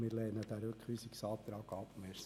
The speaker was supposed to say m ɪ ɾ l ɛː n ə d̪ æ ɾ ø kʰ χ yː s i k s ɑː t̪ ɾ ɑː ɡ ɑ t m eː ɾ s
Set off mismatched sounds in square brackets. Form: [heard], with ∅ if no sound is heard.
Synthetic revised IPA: m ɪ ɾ l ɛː n ə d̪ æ ɾ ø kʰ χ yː s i k s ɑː t̪ ɾ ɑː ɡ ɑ [p] m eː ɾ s